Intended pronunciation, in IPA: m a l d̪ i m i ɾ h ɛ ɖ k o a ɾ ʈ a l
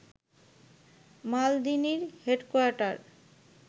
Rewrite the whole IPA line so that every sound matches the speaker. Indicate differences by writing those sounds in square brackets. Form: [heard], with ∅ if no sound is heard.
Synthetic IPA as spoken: m a l d̪ i [n] i ɾ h [e] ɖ k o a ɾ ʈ a [ɾ]